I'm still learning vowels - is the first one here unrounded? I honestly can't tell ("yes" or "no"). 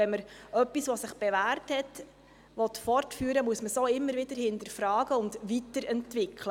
yes